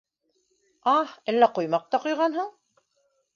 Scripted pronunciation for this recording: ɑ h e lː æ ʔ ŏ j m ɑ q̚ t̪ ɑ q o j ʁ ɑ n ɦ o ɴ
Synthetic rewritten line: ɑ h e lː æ q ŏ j m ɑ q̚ t̪ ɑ q o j ʁ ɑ n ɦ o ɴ

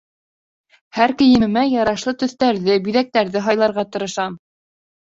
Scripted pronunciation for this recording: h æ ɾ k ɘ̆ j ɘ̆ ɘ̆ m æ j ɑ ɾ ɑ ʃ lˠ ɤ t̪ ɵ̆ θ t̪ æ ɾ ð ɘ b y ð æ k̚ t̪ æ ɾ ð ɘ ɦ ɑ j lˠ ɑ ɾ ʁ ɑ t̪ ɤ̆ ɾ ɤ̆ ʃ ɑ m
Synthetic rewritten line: h æ ɾ k ɘ̆ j ɘ̆ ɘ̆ m æ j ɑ ɾ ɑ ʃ lˠ ɤ t̪ ɵ̆ θ t̪ æ ɾ ð ɘ b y ð æ k̚ t̪ æ ɾ ð ɘ ɦ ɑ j lˠ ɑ ɾ ʁ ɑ t̪ ɤ̆ ɾ ɤ̆ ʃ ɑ m

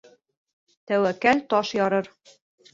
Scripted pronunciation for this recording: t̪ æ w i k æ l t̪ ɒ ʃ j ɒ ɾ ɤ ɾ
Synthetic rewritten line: t̪ æ w æ k æ l t̪ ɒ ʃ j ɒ ɾ ɤ ɾ

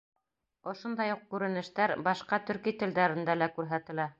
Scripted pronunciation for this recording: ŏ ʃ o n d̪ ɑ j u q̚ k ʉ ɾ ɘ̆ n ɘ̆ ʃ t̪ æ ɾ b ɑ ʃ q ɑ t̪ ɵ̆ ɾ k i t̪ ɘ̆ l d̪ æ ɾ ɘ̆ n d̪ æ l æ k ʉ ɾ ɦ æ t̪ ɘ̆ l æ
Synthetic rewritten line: ŏ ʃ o n d̪ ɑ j u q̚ k ʉ ɾ ɘ̆ n ɘ̆ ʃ t̪ æ ɾ b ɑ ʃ q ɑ t̪ ɵ̆ ɾ k i t̪ ɘ̆ l d̪ æ ɾ ɘ̆ n d̪ æ l æ k ʉ ɾ ɦ æ t̪ ɘ̆ l æ

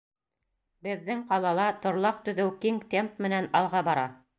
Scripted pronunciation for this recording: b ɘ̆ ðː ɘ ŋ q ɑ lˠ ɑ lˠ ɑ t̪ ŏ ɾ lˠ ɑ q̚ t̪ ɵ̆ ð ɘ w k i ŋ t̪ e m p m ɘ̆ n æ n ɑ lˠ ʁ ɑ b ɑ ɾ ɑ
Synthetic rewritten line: b ɘ̆ ðː ɘ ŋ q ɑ lˠ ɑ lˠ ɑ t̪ ŏ ɾ lˠ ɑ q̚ t̪ ɵ̆ ð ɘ w k i ŋ t̪ e m p m ɘ̆ n æ n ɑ lˠ ʁ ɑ b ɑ ɾ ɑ

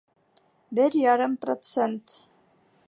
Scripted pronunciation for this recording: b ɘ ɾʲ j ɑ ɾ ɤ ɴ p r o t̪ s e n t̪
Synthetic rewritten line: b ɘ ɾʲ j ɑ ɾ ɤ m p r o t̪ s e n t̪

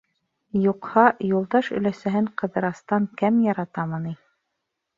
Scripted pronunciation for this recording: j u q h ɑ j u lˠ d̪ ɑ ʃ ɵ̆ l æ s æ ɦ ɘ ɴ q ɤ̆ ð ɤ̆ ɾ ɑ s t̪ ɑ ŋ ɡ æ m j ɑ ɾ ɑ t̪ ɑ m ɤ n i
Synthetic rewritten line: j u q h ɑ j u lˠ d̪ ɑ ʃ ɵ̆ l æ s æ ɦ ɘ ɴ q ɤ̆ ð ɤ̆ ɾ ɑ s t̪ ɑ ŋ k æ m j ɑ ɾ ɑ t̪ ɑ m ɤ n i

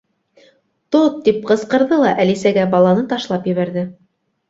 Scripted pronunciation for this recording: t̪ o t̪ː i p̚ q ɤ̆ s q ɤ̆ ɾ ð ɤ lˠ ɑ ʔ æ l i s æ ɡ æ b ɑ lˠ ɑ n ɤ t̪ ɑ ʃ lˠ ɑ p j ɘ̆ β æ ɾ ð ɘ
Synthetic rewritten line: t̪ o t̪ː i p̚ q ɤ̆ s q ɤ̆ ɾ ð ɤ lˠ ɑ ʔ æ l i s æ ɡ æ b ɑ lˠ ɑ n ɤ t̪ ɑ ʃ lˠ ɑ p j ɘ̆ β æ ɾ ð ɘ

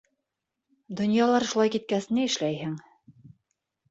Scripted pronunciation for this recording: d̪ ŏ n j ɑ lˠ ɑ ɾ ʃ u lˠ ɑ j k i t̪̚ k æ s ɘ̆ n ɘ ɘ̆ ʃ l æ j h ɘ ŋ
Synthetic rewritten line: d̪ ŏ n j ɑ lˠ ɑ ɾ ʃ u lˠ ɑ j k i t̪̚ k æ s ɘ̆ n ɘ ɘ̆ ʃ l æ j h ɘ ŋ

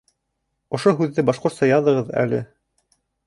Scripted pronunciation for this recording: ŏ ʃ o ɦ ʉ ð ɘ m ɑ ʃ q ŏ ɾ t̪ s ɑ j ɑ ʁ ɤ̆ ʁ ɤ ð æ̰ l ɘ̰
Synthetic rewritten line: ŏ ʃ o ɦ ʉ ðː ɘ b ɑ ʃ q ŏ ɾ t̪ s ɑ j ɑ ð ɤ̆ ʁ ɤ ð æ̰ l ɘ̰

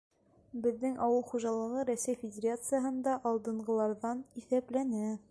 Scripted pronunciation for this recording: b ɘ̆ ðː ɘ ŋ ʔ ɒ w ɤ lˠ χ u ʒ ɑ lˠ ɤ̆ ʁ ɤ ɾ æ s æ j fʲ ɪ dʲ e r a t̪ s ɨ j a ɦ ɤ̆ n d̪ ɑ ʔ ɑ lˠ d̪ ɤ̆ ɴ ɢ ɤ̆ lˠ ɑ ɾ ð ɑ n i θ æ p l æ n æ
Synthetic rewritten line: b ɘ̆ ðː ɘ ŋ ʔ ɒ w ɤ lˠ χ u ʒ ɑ lˠ ɤ̆ ʁ ɤ ɾ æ s æ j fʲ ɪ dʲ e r a t̪ s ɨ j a ɦ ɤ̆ n d̪ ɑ ʔ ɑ lˠ d̪ ɤ̆ ɴ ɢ ɤ̆ lˠ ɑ ɾ ð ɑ n i θ æ p l æ n æ

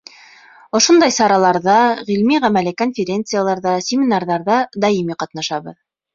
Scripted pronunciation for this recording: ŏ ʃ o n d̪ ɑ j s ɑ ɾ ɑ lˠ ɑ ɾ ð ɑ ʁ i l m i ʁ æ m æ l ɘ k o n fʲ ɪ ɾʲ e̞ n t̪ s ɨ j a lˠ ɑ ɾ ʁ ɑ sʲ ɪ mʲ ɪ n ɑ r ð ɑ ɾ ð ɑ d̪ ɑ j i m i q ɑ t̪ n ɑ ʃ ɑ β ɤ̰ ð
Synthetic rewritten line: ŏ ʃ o n d̪ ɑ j s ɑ ɾ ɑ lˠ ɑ ɾ ð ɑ ʁ i l m i ʁ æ m æ l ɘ k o n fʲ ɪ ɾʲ e̞ n t̪ s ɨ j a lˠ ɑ ɾ ð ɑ sʲ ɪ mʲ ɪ n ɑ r ð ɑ ɾ ð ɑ d̪ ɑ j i m i q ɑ t̪ n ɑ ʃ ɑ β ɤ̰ ð

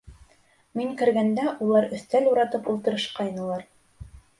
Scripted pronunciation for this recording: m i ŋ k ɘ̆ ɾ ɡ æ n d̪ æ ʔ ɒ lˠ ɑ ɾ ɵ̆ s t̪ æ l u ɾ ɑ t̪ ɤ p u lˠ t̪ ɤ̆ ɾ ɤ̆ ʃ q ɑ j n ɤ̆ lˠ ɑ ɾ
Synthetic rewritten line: m i ŋ k ɘ̆ ɾ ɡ æ n d̪ æ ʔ u lˠ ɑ ɾ ɵ̆ θ t̪ æ l u ɾ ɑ t̪ ɤ p u lˠ t̪ ɤ̆ ɾ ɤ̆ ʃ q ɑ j n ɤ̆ lˠ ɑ ɾ

